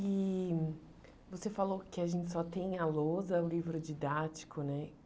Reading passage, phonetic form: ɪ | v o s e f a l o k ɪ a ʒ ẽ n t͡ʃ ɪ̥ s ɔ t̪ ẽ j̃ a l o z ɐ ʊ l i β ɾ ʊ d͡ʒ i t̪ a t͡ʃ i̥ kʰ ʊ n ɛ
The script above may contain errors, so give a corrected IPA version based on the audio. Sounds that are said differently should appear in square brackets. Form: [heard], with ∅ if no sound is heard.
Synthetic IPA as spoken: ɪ | v o s e f a l o k ɪ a ʒ ẽ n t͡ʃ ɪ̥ s ɔ t̪ ẽ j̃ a l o z ɐ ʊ l i [v] ɾ ʊ d͡ʒ i [d̪] a t͡ʃ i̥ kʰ ʊ n ɛ